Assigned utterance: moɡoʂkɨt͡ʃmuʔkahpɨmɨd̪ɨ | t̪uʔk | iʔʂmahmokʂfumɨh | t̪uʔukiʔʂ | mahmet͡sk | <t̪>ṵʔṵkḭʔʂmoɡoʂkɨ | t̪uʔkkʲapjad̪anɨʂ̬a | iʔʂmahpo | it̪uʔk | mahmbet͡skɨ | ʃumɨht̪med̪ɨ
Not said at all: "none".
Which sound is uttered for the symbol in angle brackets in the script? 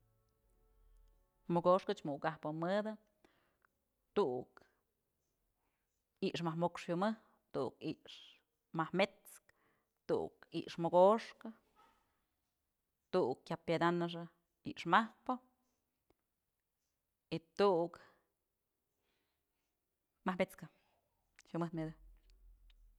t̪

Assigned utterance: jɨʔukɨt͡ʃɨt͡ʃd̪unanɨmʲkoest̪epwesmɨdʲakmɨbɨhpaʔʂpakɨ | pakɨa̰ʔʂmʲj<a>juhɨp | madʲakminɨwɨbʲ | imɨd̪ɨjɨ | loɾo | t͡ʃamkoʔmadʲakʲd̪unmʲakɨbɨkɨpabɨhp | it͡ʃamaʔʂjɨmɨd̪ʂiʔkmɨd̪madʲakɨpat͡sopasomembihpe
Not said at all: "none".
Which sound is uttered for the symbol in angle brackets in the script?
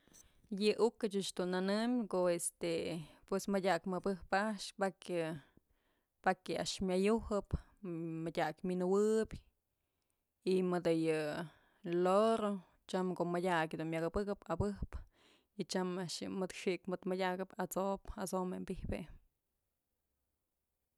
a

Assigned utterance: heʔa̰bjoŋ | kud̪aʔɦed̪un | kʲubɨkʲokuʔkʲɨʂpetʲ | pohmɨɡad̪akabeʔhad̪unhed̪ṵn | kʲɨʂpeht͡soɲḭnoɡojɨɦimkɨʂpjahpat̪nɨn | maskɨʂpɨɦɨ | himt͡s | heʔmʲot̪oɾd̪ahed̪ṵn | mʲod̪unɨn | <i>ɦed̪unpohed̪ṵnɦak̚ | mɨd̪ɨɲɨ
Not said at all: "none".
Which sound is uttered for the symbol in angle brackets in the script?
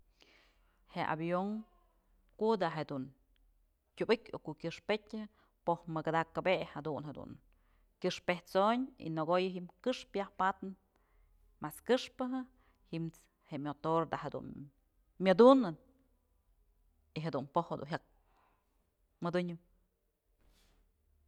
i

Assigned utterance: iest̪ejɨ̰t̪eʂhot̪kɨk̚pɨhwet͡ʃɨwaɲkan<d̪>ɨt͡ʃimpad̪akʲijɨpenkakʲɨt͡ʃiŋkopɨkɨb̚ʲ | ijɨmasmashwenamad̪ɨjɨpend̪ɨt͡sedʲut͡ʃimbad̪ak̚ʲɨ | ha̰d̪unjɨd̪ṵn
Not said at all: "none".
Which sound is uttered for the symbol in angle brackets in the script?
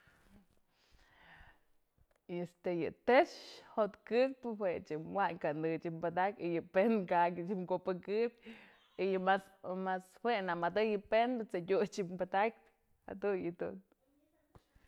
d̪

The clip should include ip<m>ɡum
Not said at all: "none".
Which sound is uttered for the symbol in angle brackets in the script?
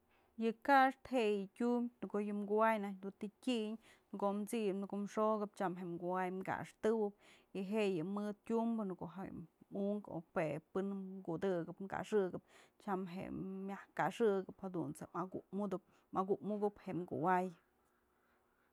n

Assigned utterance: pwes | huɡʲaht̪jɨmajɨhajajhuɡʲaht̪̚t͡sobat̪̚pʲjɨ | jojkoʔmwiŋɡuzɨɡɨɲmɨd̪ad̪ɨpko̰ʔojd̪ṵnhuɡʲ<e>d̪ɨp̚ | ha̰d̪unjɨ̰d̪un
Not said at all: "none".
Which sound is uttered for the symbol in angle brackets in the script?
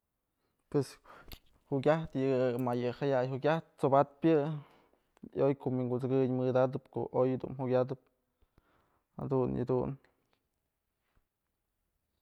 a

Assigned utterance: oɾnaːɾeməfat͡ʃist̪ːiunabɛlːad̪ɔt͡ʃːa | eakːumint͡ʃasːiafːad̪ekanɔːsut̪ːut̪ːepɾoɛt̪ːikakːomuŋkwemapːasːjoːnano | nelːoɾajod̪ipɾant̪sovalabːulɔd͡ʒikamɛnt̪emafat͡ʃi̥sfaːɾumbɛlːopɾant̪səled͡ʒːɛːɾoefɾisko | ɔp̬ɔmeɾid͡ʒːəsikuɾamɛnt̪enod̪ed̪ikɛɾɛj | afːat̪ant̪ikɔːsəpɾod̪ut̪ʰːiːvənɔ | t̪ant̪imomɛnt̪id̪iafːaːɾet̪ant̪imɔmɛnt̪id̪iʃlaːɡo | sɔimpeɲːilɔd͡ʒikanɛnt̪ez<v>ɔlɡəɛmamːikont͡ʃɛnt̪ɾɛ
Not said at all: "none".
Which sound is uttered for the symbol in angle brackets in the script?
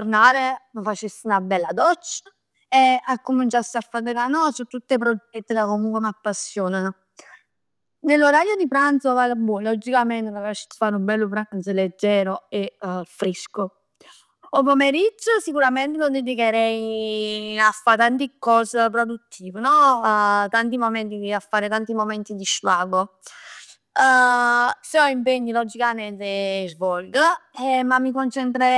v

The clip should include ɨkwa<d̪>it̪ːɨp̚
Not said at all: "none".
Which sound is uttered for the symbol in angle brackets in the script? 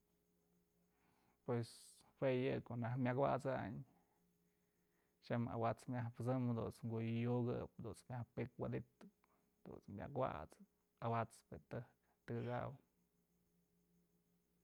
d̪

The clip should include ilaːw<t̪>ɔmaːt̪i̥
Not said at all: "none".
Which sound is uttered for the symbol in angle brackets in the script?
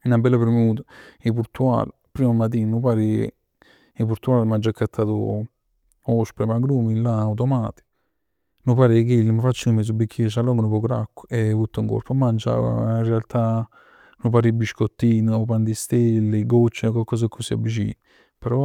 t̪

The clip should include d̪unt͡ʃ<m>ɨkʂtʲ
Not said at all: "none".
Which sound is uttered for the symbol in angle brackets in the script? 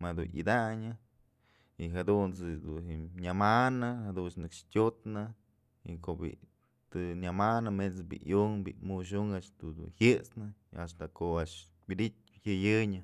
n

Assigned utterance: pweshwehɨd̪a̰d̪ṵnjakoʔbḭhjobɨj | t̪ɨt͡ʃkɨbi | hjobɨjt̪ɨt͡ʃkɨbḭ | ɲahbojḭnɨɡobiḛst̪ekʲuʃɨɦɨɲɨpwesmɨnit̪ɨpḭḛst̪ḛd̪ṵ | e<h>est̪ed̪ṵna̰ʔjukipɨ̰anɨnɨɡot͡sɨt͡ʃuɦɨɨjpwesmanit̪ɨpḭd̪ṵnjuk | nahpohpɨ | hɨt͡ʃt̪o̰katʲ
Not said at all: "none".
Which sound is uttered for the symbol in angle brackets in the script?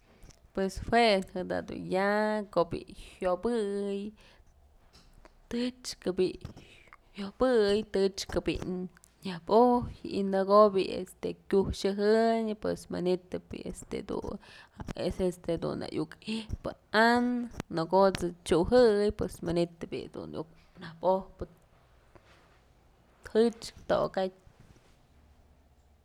s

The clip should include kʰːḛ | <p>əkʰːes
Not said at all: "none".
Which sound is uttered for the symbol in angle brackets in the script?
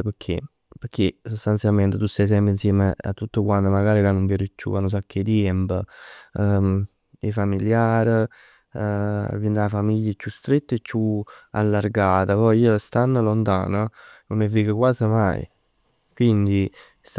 p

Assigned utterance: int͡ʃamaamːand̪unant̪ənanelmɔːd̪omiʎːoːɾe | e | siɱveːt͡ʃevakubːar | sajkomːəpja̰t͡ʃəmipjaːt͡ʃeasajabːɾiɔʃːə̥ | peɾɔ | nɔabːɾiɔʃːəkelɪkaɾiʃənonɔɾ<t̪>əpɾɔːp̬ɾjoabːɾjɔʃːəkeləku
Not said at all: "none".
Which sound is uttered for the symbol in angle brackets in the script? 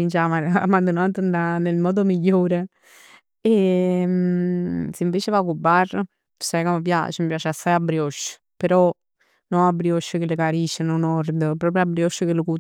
d̪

